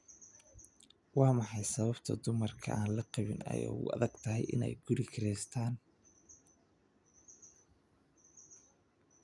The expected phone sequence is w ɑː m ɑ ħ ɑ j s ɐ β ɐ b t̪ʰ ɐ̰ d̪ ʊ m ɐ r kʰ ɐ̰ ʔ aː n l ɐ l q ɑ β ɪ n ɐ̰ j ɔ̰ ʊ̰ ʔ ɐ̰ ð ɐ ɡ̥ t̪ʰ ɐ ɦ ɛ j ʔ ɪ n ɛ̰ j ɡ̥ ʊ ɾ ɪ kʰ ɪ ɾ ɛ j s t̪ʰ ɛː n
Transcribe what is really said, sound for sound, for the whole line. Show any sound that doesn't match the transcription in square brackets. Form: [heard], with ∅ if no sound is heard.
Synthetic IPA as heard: w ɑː m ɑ ħ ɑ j s ɐ β ɐ b t̪ʰ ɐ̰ d̪ ʊ m ɐ r kʰ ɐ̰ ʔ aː n l ɐ [∅] q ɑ β ɪ n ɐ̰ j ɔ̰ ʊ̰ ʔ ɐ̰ ð ɐ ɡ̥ t̪ʰ ɐ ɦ ɛ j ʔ ɪ n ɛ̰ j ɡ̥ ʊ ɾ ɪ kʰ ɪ ɾ ɛ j s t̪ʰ [aː] n